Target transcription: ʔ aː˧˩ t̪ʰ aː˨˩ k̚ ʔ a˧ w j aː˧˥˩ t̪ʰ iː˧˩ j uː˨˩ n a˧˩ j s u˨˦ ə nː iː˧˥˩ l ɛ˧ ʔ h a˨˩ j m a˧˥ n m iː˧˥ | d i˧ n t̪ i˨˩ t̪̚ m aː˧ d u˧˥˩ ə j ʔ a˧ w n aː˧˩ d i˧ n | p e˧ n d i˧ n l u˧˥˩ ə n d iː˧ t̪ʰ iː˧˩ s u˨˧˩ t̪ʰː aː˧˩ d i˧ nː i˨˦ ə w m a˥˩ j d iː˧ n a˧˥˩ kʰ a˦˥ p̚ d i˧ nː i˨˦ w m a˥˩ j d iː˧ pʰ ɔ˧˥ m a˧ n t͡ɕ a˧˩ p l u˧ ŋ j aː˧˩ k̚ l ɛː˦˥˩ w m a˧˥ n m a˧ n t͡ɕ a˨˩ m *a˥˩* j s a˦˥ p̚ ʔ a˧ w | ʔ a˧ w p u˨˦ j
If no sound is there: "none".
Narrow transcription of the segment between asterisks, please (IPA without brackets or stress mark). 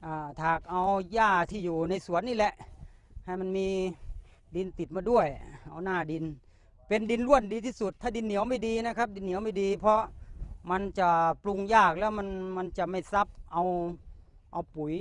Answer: a˥˩